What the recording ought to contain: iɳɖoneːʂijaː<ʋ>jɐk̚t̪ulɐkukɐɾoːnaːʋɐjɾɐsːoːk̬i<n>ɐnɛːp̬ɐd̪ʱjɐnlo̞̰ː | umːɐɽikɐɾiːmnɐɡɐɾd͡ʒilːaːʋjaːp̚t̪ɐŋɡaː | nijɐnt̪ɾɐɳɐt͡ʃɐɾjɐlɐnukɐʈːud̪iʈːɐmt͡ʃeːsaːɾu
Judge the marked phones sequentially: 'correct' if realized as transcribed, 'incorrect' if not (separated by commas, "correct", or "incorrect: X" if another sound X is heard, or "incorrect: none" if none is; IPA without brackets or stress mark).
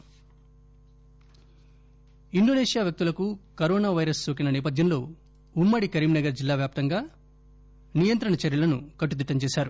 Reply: correct, correct